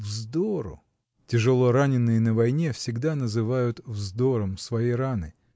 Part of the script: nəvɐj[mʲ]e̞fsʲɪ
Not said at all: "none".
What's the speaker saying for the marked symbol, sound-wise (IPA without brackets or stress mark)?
nʲ